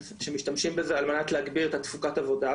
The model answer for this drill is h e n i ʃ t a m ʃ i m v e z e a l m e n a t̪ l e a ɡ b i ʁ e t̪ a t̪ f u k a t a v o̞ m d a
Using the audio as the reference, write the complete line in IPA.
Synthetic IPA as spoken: ʃ e m i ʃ t a m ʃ i m b e z e a l m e n a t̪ l e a ɡ b i ʁ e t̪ a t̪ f u k a t a v o̞ d a